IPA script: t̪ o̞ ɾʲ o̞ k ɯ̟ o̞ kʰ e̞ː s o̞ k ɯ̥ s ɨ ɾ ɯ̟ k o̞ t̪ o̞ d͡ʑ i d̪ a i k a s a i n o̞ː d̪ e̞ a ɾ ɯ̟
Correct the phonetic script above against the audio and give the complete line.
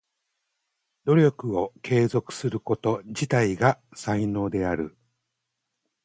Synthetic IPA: d̪ o̞ ɾʲ o̞ k ɯ̟ o̞ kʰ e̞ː z o̞ k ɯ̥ s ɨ ɾ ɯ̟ k o̞ t̪ o̞ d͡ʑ i t̪ a i ɡ a s a i n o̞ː d̪ e̞ a ɾ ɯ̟

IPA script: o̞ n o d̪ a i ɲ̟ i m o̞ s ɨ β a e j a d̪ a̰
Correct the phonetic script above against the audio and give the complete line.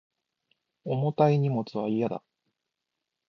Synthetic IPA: o̞ m o t̪ a i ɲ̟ i m o̞ t͡s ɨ β a i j a d̪ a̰

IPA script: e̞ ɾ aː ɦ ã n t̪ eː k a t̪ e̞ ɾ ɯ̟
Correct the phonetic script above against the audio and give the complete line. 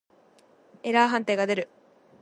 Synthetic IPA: e̞ ɾ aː ɦ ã n t̪ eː ɡ a d̪ e̞ ɾ ɯ̟

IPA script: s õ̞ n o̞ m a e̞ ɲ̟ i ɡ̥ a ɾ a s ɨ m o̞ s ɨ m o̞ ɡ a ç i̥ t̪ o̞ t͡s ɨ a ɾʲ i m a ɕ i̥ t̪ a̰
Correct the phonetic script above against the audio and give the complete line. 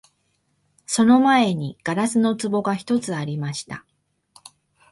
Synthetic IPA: s o̞ n o̞ m a e̞ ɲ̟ i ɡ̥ a ɾ a s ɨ n o̞ t͡s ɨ b o̞ ɡ a ç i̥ t̪ o̞ t͡s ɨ a ɾʲ i m a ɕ i̥ t̪ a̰

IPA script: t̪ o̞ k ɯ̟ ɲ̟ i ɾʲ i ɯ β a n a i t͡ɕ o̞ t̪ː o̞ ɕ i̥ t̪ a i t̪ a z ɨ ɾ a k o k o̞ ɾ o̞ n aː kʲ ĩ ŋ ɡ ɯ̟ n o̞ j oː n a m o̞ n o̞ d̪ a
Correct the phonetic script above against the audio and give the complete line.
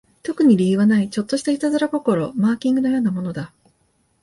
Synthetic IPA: t̪ o̞ k ɯ̟ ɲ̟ i ɾʲ i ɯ β a n a i t͡ɕ o̞ t̪ː o̞ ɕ i̥ t̪ a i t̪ a z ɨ ɾ a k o k o̞ ɾ o̞ m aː kʲ ĩ ŋ ɡ ɯ̟ n o̞ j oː n a m o̞ n o̞ d̪ a

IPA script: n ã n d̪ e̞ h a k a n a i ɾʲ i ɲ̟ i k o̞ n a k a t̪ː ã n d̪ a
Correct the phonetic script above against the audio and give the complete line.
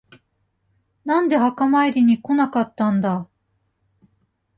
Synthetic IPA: n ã n d̪ e̞ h a k a m a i ɾʲ i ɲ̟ i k o̞ n a k a t̪ː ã n d̪ a

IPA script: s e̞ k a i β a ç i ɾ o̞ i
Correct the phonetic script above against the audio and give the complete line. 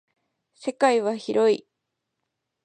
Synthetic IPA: s e̞ k a i β a ç i ɾ o̞ i

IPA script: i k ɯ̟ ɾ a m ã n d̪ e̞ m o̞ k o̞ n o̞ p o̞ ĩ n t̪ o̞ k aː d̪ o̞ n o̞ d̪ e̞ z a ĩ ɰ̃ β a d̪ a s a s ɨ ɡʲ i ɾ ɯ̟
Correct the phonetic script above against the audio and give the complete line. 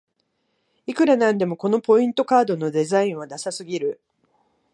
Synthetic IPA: i k ɯ̟ ɾ a n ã n d̪ e̞ m o̞ k o̞ n o̞ p o̞ ĩ n t̪ o̞ k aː d̪ o̞ n o̞ d̪ e̞ z a ĩ ɰ̃ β a d̪ a s a s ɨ ɡʲ i ɾ ɯ̟

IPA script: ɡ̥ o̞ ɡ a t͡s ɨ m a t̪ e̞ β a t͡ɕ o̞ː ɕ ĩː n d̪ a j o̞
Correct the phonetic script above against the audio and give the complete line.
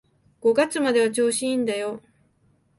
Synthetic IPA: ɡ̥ o̞ ɡ a t͡s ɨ m a d̪ e̞ β a t͡ɕ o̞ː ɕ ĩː n d̪ a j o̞

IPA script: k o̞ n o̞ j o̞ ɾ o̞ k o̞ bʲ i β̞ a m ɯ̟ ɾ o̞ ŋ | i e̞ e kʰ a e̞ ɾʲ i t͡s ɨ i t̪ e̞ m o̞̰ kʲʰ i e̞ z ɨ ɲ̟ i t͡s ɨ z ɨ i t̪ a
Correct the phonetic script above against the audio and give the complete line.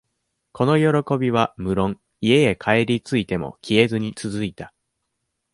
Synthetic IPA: k o̞ n o̞ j o̞ ɾ o̞ k o̞ bʲ i β̞ a m ɯ̟ ɾ õ̞ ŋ | i e̞ e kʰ a e̞ ɾʲ i t͡s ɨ i t̪ e̞ m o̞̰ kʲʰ i e̞ z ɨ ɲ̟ i t͡s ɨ z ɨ i t̪ a

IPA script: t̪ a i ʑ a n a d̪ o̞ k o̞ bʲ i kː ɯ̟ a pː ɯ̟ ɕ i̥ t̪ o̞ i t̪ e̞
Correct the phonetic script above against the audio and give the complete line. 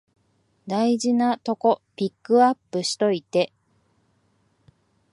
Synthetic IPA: d̪ a i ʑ i n a t̪ o̞ k o̞ pʲ i kː ɯ̟ a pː ɯ̟ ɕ i̥ t̪ o̞ i t̪ e̞

